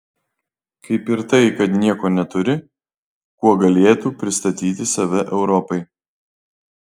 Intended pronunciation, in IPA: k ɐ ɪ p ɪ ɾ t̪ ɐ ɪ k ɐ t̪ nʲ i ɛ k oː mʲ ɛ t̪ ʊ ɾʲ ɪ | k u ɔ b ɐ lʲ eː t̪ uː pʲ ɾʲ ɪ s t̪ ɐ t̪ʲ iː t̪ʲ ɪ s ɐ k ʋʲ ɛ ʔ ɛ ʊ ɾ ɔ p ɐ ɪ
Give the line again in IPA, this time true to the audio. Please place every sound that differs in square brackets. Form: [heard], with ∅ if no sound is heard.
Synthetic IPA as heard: k ɐ ɪ p ɪ ɾ t̪ ɐ ɪ k ɐ t̪ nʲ i ɛ k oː [nʲ] ɛ t̪ ʊ ɾʲ ɪ | k u ɔ [ɡ] ɐ lʲ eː t̪ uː pʲ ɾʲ ɪ s t̪ ɐ t̪ʲ iː t̪ʲ ɪ s ɐ [∅] ʋʲ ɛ ʔ ɛ ʊ ɾ ɔ p ɐ ɪ